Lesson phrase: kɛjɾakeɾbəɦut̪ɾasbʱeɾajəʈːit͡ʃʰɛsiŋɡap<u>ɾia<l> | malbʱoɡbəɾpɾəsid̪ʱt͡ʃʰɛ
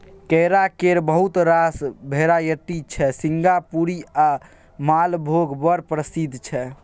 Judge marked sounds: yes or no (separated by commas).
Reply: yes, no